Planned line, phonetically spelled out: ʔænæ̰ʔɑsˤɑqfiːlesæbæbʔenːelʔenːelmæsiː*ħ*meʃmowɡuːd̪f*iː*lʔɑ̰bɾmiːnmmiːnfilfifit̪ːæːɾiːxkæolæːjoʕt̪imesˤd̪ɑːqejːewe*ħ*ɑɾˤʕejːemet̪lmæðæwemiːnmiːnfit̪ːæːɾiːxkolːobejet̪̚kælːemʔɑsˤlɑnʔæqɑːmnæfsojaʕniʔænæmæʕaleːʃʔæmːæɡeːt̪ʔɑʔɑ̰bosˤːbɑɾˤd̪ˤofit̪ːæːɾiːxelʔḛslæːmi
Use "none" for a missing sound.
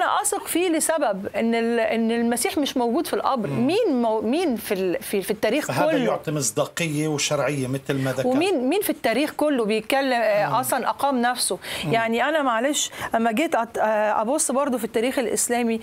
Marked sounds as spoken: ħ, i, ʃ

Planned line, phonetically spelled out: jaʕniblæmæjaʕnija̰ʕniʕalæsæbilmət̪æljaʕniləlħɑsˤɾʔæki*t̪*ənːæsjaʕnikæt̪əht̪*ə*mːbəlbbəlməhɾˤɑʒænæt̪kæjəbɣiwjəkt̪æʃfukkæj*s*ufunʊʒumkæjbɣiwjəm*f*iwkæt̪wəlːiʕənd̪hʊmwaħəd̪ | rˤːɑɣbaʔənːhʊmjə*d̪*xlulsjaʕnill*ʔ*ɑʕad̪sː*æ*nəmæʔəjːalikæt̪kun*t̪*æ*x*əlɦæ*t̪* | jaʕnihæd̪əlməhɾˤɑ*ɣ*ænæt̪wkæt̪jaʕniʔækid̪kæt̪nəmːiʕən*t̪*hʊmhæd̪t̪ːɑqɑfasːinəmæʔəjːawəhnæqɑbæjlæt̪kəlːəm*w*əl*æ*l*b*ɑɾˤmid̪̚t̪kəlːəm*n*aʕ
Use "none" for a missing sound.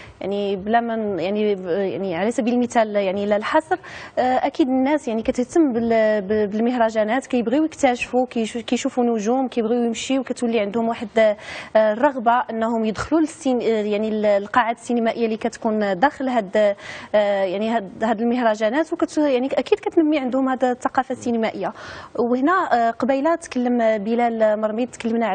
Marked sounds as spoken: d̪, ə, ʃ, ʃ, d̪, q, i, d̪, x, d̪, ʒ, d̪, b, æ, m, n

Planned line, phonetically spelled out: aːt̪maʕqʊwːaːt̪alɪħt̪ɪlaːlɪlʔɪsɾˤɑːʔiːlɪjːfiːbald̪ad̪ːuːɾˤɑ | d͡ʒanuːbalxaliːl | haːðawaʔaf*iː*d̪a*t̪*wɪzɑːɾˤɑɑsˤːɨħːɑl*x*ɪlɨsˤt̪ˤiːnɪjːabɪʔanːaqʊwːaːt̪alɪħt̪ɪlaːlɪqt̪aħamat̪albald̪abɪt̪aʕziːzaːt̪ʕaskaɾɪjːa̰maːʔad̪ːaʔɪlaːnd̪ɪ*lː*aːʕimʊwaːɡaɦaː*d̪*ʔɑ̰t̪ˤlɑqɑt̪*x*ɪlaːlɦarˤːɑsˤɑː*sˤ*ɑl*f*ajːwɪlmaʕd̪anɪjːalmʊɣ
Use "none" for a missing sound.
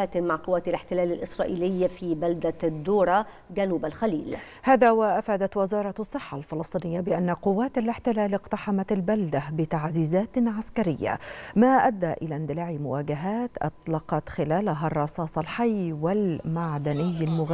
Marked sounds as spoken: aː, t̪, f, l, t̪, x, sˤ, ħ

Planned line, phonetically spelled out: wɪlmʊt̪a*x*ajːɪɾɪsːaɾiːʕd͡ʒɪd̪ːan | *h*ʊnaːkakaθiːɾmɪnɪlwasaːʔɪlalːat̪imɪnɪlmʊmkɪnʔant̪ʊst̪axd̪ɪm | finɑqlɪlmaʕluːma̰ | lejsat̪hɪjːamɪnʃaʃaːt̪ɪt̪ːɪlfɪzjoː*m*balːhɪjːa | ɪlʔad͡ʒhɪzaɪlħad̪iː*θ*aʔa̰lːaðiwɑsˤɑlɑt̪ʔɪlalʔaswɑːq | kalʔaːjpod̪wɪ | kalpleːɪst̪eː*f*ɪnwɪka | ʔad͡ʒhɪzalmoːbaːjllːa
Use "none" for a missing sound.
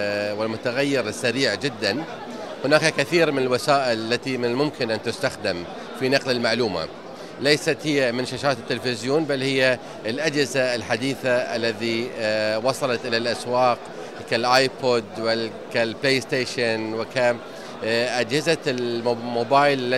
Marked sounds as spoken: ɣ, h, n, θ, ʃ

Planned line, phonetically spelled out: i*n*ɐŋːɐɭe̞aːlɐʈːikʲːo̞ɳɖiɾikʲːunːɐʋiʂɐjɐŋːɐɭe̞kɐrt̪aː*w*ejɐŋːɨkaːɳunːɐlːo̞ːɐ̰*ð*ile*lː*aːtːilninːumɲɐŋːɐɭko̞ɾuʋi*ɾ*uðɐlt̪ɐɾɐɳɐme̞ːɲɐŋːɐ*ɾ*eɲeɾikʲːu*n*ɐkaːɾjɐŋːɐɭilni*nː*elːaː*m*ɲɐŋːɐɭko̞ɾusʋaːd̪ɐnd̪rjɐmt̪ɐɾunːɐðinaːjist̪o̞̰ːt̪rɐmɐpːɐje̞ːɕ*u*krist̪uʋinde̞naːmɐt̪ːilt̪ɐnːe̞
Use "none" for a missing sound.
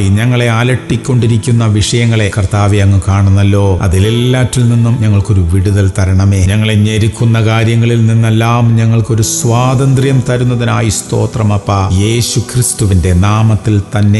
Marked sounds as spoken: ɲ, ʋ, ð, lː, ɽ, ɭ, nː, nː, m, u

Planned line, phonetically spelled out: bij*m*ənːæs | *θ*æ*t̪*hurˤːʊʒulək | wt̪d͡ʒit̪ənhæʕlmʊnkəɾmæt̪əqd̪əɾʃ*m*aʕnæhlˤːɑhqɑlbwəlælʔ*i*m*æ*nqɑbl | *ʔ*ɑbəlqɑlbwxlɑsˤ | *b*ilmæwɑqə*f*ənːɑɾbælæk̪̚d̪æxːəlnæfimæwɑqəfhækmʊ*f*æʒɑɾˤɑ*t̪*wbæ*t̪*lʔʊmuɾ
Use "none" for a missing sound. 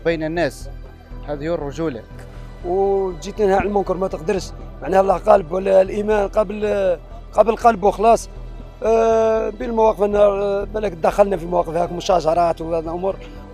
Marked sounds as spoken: n, h, d̪, m, i, æ, q, b, f, ʃ, t̪, d̪

